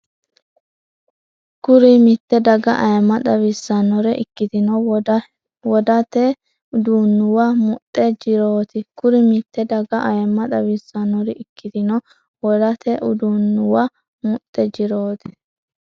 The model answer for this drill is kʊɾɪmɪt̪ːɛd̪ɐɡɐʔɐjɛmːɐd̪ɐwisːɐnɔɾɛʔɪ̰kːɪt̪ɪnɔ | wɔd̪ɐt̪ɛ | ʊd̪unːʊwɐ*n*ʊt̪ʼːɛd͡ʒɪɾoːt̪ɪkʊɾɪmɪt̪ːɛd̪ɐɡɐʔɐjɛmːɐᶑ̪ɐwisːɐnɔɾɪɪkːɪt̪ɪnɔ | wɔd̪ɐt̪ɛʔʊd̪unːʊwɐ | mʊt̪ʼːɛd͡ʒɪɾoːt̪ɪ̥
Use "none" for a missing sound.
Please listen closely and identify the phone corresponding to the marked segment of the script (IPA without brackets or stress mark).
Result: m